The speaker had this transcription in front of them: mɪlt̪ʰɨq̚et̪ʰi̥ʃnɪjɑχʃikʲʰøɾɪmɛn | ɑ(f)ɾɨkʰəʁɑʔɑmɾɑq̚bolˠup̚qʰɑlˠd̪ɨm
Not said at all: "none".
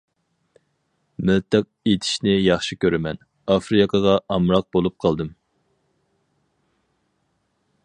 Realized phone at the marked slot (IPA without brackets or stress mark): f